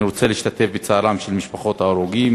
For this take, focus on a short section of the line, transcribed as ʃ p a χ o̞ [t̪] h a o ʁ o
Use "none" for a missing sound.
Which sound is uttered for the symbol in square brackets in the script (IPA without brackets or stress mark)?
t̪